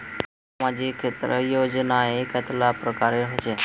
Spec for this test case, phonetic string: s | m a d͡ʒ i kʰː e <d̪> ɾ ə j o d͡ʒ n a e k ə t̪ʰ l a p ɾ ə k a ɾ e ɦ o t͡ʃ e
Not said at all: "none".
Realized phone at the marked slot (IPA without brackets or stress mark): t̪